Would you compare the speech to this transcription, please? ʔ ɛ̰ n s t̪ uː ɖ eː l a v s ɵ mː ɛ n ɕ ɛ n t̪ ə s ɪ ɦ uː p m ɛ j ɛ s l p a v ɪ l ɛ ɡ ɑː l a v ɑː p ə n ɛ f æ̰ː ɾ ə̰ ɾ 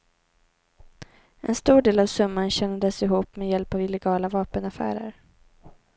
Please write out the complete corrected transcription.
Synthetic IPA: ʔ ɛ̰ n s t̪ uː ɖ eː l a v s ɵ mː a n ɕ ɛ n d̪ ə s ɪ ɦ uː p m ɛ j ɛ l p a v ɪ l ɛ ɡ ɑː l a v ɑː p ə n a f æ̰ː ɾ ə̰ ɾ